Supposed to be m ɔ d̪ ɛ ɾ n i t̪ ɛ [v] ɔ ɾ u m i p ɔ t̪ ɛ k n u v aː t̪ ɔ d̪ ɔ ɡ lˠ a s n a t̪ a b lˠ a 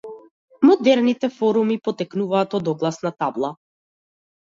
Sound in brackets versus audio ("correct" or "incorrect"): incorrect